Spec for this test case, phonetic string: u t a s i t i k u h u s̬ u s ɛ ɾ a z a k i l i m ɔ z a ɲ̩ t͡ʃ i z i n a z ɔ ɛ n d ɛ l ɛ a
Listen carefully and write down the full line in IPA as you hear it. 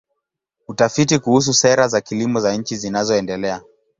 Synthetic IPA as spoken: u t a f i t i k u h u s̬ u s ɛ ɾ a z a k i l i m ɔ z a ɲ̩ t͡ʃ i z i n a z ɔ ɛ n d ɛ l ɛ a

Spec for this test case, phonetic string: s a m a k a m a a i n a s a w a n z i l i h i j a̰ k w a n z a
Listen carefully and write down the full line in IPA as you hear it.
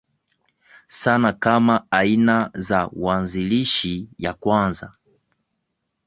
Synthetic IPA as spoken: s a n a k a m a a i n a z a w a n z i l i ʃ i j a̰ k w a n z a

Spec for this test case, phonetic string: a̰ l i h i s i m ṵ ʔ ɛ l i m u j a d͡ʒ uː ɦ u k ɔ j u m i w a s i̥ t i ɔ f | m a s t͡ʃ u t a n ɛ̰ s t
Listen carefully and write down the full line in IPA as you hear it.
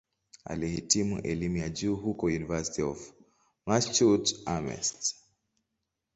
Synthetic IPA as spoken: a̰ l i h i t i m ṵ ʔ ɛ l i m u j a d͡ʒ uː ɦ u k ɔ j u n i v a s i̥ t i ɔ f | m a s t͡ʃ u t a m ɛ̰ s t

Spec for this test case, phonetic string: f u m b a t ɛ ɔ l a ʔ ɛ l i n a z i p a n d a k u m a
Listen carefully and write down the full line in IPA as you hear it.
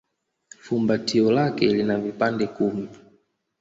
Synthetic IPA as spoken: f u m b a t i ɔ l a k ɛ l i n a v i p a n d ɛ k u m i

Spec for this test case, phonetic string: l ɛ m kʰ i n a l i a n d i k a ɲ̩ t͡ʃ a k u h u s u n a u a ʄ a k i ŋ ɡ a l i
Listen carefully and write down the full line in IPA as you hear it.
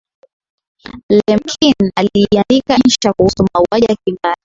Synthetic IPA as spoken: l ɛ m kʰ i n a l i a n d i k a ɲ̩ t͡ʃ a k u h u s u m a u a ʄ a k i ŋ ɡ a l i

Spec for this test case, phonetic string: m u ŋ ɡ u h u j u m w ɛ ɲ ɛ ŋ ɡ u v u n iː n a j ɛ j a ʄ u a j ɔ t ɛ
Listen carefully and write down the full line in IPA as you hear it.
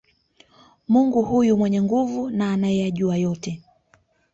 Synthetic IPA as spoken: m u ŋ ɡ u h u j u m w ɛ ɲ ɛ ŋ ɡ u v u n aː n a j ɛ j a ʄ u a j ɔ t ɛ

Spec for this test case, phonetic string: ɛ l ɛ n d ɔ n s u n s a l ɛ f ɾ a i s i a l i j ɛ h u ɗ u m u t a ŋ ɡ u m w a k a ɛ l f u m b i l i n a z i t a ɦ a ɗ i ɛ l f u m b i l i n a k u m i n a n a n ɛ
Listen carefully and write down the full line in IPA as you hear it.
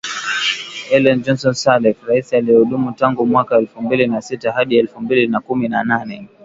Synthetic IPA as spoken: ɛ l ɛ n d͡ʒ ɔ n s ɔ n s a l ɛ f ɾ a i s i a l i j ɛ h u ɗ u m u t a ŋ ɡ u m w a k a ɛ l f u m b i l i n a s i t a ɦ a ɗ i ɛ l f u m b i l i n a k u m i n a n a n ɛ

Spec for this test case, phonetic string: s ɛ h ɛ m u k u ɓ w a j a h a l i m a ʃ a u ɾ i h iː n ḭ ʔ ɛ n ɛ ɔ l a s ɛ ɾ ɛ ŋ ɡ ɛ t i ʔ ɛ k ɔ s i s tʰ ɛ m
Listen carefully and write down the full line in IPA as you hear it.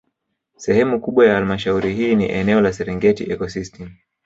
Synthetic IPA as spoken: s ɛ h ɛ m u k u ɓ w a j a h a l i m a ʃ a u ɾ i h iː n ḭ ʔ ɛ n ɛ ɔ l a s ɛ ɾ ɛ ŋ ɡ ɛ t i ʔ ɛ k ɔ s i s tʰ ɛ m

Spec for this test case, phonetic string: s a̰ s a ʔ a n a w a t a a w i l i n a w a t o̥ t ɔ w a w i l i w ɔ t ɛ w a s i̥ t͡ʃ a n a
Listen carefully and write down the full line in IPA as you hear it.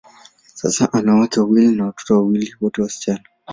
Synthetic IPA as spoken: s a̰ s a ʔ a n a w a t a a w i l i n a w a t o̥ t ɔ w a w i l i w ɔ t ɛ w a s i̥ t͡ʃ a n a

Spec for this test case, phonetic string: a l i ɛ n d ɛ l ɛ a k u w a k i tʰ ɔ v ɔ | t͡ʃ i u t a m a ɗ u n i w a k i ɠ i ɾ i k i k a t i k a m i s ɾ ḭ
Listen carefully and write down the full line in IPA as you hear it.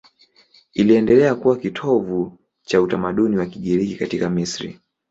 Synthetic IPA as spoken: i l i ɛ n d ɛ l ɛ a k u w a k i tʰ ɔ v u | t͡ʃ a u t a m a ɗ u n i w a k i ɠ i ɾ i k i k a t i k a m i s ɾ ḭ

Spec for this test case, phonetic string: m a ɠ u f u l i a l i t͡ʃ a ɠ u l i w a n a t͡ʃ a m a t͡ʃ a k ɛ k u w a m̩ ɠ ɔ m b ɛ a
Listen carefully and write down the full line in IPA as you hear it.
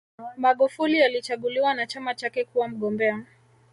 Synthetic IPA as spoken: m a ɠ u f u l i a l i t͡ʃ a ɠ u l i w a n a t͡ʃ a m a t͡ʃ a k ɛ k u w a m̩ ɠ ɔ m b ɛ a

